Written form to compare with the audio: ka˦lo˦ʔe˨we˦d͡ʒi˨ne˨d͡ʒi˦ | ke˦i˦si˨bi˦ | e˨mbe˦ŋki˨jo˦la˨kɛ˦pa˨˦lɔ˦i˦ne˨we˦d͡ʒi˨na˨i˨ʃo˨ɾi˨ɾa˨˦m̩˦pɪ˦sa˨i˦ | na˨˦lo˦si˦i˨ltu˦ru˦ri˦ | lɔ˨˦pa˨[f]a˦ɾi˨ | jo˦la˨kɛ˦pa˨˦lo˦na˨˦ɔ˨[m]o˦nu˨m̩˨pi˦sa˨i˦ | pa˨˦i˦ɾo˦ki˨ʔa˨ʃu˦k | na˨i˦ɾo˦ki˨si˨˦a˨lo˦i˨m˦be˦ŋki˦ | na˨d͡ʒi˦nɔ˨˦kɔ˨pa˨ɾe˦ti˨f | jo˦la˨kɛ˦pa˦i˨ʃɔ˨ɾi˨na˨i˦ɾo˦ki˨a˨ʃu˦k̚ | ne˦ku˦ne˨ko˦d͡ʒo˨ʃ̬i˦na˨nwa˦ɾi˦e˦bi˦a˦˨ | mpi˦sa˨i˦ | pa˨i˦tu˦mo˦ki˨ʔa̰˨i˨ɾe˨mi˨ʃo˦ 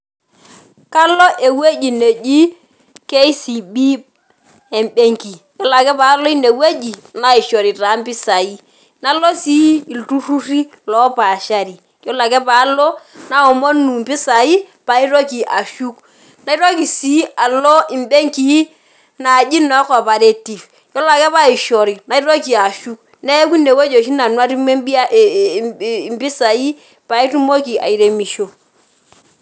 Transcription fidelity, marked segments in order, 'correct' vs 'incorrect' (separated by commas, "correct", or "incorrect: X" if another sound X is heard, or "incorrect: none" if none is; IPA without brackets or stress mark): incorrect: ʃ, correct